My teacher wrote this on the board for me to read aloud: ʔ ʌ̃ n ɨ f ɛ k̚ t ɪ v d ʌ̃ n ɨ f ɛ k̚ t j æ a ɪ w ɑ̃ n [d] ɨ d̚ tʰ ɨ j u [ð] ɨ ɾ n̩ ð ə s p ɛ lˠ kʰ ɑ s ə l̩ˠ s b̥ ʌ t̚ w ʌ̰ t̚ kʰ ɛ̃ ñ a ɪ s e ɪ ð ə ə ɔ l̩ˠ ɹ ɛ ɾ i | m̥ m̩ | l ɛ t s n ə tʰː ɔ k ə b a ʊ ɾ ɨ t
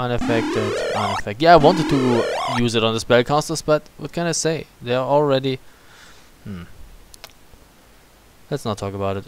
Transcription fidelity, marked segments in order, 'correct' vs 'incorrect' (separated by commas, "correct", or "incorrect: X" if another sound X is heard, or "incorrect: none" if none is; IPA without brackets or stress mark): incorrect: t, incorrect: z